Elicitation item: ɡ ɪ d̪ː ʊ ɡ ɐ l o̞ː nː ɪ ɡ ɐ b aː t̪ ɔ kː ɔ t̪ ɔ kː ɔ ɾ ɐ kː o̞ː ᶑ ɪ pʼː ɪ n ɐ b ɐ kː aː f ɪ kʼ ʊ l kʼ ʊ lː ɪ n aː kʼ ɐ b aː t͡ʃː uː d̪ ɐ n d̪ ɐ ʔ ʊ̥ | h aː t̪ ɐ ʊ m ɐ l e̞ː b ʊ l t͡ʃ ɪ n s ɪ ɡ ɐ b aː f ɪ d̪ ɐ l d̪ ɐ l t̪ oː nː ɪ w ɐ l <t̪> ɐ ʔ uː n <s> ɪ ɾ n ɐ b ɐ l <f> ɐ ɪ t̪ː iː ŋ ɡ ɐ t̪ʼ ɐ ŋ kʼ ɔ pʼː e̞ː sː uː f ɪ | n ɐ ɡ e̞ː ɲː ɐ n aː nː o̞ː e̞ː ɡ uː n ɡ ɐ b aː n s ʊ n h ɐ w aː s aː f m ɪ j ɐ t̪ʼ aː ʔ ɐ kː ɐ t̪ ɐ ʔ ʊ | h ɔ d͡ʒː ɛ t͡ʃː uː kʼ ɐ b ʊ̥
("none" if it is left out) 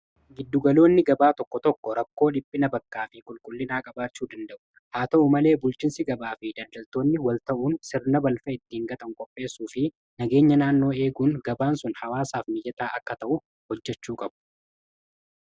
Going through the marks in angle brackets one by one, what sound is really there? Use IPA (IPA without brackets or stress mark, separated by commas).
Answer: t̪, s, f